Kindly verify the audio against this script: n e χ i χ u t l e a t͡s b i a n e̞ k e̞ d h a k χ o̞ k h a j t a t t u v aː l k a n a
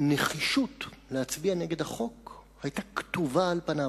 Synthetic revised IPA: n e χ i ʃ u t l e a t͡s b i a n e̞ ɡ e̞ d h a χ o̞ k h a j t a k t u v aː l p a n a

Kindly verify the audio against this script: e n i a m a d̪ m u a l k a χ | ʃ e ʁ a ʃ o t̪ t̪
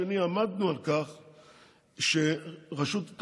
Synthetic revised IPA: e n i a m a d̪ n u a l k a χ | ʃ e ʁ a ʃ u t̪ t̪

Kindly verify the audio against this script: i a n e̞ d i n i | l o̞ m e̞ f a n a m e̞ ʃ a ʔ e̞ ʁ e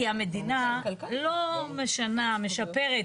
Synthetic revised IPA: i a m e̞ d i n a | l o̞ m e̞ ʃ a n a m e̞ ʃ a p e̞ ʁ e

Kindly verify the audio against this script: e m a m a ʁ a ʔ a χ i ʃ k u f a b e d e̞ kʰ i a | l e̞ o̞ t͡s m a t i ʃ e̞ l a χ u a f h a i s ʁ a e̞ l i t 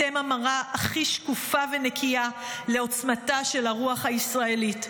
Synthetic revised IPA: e m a m a ʁ a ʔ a χ i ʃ k u f a v e n e̞ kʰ i a | l e̞ o̞ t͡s m a t a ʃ e̞ l a ʁ u a χ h a i s ʁ a e̞ l i t

